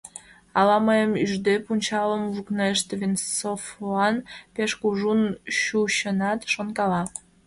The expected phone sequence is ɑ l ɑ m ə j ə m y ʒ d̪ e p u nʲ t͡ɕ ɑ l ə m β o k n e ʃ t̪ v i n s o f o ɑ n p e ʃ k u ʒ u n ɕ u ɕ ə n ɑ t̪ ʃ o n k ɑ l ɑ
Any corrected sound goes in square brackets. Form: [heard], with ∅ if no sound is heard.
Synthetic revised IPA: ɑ l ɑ m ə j ə m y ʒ d̪ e p u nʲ t͡ɕ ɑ l ə m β [u] k n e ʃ t̪ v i n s o f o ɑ n p e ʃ k u ʒ u n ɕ u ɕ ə n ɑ t̪ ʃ o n k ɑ l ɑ